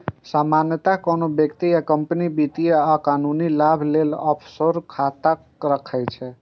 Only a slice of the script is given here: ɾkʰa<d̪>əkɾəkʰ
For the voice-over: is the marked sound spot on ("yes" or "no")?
no